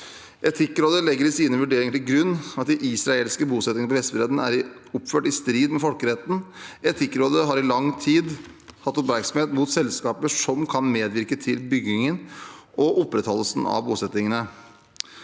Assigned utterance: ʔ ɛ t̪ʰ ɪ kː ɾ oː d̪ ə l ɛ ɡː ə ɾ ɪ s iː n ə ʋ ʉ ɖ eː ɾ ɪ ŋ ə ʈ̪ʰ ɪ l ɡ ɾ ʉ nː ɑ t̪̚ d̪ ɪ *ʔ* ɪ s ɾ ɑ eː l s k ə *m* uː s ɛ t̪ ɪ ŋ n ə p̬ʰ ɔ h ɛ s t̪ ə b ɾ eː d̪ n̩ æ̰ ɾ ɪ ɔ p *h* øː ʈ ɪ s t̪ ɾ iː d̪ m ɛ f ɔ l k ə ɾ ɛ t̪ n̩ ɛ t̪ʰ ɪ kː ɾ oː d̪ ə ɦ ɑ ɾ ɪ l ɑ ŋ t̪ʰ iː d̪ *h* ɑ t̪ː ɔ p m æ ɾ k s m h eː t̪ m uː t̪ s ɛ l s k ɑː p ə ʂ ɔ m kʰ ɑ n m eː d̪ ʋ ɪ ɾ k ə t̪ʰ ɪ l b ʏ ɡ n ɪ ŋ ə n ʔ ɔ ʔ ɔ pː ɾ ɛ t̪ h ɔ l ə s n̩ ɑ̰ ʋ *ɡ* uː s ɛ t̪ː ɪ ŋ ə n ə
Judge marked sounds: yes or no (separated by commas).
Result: yes, no, no, yes, no